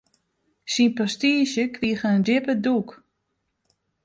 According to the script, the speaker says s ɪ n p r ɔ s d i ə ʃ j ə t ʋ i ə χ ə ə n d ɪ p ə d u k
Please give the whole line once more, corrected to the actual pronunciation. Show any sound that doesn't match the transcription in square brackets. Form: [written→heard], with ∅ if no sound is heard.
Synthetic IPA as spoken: s [ɪ→i] n p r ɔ s [d→t] i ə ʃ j ə [t→k] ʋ i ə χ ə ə n d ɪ p ə d u k